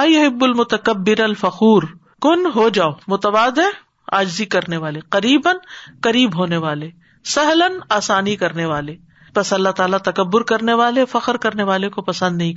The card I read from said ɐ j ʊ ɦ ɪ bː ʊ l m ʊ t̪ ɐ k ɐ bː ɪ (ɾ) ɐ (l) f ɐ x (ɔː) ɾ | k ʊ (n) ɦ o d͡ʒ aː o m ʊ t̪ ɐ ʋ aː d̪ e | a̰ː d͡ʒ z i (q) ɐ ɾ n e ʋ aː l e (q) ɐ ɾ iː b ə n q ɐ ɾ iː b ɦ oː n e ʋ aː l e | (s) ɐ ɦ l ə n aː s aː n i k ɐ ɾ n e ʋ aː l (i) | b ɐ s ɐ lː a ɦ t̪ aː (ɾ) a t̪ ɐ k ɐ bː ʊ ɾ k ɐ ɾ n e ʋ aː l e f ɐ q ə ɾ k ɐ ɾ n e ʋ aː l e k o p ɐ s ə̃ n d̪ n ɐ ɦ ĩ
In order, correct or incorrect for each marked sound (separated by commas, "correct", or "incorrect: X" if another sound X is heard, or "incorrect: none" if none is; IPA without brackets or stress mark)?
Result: correct, correct, incorrect: uː, correct, incorrect: k, correct, correct, incorrect: e, incorrect: l